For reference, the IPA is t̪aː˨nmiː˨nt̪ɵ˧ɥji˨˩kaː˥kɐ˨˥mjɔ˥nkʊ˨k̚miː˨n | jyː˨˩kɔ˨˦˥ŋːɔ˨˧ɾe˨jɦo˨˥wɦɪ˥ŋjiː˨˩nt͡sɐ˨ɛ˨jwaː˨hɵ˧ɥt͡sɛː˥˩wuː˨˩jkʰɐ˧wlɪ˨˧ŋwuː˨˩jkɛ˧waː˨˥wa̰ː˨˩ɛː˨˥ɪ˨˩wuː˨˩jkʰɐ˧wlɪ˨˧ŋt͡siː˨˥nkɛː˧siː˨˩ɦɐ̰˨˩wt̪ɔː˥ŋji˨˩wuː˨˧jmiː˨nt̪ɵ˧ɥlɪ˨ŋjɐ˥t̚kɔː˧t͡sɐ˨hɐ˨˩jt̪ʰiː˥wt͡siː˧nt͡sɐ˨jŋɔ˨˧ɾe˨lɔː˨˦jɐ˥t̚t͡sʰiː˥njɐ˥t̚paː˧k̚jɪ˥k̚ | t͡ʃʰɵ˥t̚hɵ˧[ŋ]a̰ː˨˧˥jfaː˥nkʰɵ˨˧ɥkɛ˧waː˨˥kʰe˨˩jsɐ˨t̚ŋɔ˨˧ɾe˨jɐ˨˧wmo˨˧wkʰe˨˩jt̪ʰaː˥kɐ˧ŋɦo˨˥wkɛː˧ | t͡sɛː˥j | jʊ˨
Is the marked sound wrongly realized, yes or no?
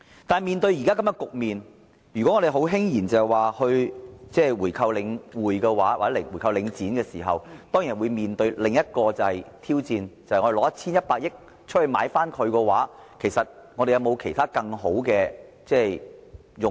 yes